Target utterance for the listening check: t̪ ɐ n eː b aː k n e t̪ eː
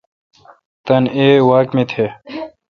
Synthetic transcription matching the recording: t̪ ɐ n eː w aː k m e t̪ʰ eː